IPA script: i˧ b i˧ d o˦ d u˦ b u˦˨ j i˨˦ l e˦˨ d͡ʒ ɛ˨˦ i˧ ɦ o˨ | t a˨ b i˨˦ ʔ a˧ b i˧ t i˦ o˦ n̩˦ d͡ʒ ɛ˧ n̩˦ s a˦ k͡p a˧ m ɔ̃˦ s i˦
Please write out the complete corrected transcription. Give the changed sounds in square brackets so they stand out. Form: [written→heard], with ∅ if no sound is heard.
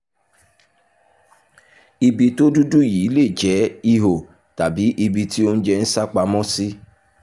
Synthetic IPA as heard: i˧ b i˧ [d→t] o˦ d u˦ [b→d] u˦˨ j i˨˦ l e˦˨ d͡ʒ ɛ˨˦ i˧ ɦ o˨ | t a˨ b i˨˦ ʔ [a˧→i˧] b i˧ t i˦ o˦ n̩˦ d͡ʒ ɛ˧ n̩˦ s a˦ k͡p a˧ m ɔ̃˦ s i˦

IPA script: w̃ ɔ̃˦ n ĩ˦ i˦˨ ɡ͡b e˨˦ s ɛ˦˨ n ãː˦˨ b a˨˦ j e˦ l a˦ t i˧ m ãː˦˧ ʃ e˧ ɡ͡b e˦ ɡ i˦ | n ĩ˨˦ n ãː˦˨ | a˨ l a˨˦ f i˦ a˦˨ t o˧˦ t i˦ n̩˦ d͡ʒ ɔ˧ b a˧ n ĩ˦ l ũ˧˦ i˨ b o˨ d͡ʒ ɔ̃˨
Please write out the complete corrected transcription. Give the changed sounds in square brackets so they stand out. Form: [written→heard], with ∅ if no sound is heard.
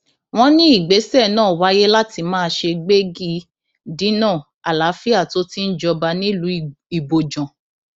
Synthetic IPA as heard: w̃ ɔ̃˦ n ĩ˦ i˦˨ ɡ͡b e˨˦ s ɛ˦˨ n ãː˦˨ [b→w] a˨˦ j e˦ l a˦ t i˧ m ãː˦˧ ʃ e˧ ɡ͡b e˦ ɡ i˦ | [n→d] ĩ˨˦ n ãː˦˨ | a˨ l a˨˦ f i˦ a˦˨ t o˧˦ t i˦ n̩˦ d͡ʒ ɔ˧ b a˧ n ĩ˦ l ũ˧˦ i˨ b o˨ d͡ʒ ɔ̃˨

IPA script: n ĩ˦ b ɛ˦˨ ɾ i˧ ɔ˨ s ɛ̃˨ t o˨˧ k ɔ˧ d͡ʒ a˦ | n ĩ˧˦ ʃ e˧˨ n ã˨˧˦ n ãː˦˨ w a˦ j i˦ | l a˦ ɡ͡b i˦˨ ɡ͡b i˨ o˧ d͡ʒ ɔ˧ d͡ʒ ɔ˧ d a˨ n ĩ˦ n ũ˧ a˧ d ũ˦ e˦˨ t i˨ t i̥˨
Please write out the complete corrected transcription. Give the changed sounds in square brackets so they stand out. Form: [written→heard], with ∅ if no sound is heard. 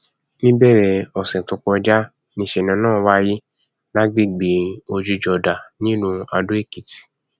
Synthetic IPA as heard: n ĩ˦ b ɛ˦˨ ɾ [i˧→ɛ˧] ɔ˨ s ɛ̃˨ t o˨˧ k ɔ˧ d͡ʒ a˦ | n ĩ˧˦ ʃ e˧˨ n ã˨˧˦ n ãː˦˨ w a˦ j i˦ | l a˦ ɡ͡b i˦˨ ɡ͡b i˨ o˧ d͡ʒ [ɔ˧→u˧] d͡ʒ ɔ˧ d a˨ n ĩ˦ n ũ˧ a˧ d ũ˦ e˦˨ [t→k] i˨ t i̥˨

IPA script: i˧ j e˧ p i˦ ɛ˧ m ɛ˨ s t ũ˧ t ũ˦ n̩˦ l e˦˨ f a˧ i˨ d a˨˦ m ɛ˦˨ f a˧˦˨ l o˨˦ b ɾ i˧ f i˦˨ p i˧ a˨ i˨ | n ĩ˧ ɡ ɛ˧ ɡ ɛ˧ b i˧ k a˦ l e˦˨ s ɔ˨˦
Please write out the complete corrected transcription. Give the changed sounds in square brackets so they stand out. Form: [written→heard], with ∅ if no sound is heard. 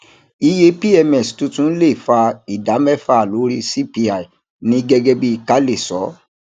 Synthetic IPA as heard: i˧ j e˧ p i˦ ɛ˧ m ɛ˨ s t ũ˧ t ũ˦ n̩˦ l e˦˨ f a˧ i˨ d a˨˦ m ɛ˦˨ f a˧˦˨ l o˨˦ [b→∅] ɾ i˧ [f→s] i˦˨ p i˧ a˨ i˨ | n ĩ˧ ɡ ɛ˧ ɡ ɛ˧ b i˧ k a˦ l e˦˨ s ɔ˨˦

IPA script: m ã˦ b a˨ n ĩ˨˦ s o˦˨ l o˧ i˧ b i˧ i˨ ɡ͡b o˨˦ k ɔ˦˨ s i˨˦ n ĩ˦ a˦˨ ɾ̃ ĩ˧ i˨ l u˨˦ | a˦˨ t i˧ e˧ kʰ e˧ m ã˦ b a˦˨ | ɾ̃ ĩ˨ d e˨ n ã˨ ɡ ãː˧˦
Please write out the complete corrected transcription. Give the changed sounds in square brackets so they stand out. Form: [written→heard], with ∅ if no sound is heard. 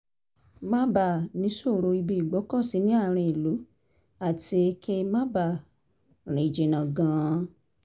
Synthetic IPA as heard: m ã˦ b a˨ n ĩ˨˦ s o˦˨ [l→ɾ] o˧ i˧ b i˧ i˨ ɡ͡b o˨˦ k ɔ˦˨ s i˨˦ n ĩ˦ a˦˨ ɾ̃ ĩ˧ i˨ l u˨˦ | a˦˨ t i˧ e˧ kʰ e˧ m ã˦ b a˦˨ | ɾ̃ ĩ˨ [d→d͡ʒ] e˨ n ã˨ ɡ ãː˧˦

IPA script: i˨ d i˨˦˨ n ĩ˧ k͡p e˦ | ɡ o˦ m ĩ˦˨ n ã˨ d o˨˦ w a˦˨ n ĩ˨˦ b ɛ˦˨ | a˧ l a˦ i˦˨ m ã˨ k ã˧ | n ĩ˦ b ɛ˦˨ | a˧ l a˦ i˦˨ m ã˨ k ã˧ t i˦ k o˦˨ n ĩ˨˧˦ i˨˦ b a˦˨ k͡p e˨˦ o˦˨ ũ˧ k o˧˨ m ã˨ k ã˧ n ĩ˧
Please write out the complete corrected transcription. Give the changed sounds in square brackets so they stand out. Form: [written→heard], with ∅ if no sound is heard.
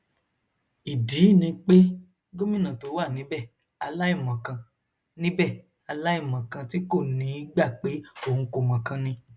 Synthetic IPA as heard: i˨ d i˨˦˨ n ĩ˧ k͡p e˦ | ɡ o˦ m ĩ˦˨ n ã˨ [d→t] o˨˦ w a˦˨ n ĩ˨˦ b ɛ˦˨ | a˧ l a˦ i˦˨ m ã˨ k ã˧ | n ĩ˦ b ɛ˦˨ | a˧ l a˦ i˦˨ m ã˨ k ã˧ t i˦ k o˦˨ n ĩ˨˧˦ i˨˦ [b→ɡ͡b] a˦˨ k͡p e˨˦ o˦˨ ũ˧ k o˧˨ m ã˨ k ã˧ n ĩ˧

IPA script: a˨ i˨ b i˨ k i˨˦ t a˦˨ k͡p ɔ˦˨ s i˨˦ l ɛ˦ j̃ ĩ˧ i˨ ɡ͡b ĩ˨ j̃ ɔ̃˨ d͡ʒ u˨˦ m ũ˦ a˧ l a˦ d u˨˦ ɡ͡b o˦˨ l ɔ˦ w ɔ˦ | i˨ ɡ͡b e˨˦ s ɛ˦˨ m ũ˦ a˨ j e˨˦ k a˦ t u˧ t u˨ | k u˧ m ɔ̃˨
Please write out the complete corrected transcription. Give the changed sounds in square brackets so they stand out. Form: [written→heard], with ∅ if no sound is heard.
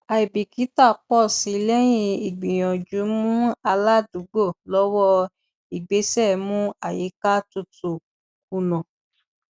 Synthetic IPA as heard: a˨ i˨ b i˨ k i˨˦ t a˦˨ k͡p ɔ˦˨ s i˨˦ l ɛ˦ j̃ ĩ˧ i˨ ɡ͡b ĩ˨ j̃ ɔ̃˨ d͡ʒ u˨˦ m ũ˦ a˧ l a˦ d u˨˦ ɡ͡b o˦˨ l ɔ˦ w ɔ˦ | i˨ ɡ͡b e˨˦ s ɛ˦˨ m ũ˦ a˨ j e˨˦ k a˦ t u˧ t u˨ | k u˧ [m→n] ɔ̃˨

